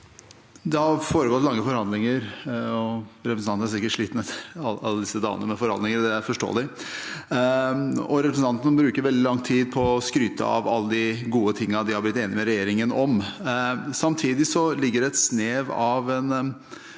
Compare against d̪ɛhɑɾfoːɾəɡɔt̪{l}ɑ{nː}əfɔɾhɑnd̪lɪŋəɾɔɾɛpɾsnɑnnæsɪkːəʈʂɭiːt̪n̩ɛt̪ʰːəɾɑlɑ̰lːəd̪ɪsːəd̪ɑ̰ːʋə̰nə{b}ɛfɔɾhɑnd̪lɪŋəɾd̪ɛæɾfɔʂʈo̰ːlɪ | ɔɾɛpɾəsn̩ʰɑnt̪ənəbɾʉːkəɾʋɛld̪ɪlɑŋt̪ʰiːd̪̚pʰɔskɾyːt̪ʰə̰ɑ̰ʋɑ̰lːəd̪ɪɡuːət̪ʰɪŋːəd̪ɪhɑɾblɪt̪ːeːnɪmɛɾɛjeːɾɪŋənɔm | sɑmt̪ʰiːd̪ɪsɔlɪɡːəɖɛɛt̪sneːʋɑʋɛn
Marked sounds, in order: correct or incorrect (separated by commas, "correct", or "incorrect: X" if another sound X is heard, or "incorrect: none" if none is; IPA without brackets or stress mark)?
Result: correct, incorrect: ŋː, incorrect: m